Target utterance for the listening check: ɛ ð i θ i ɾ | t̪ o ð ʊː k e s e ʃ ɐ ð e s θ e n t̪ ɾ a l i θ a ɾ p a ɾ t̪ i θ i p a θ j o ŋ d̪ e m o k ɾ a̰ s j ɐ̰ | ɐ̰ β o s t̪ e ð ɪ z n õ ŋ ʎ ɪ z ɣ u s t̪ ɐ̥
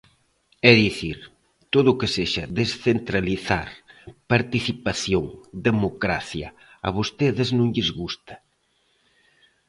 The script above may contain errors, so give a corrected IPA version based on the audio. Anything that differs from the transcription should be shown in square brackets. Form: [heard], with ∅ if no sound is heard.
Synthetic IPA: ɛ ð i θ i ɾ | t̪ o ð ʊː k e s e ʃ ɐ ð e s θ e n t̪ ɾ a l i θ a ɾ p a ɾ t̪ i θ i p a θ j o ŋ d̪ e m o k ɾ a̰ [θ] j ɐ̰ | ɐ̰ β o s t̪ e ð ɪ z n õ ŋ ʎ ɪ z ɣ u s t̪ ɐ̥